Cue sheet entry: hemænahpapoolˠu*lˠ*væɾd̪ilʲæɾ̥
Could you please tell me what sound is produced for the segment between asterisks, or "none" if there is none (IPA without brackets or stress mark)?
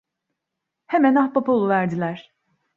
none